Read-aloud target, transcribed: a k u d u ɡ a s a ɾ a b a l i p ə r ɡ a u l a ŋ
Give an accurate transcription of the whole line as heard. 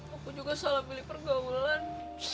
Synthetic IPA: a k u d͡ʒ u ɡ a s a l a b i l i p ə r ɡ a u l a n